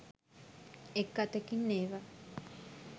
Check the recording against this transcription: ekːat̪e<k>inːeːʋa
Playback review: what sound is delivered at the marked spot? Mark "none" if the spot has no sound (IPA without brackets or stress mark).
k